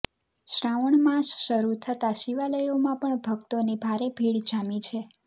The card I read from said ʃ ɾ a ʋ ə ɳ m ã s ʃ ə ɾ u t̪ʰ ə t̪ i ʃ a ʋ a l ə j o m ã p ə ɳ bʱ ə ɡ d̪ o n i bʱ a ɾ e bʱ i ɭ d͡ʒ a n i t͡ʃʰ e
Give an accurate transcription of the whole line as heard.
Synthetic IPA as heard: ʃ ɾ a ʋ ə ɳ m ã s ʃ ə ɾ u t̪ʰ ə t̪ a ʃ i ʋ a l ə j o m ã p ə ɳ bʱ ə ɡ t̪ o n i bʱ a ɾ e bʱ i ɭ d͡ʒ a m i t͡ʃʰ e